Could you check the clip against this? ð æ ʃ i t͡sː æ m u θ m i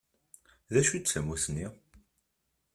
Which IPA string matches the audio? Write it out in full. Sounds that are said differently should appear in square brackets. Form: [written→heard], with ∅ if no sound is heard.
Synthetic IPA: ð æ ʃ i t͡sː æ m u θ [m→n] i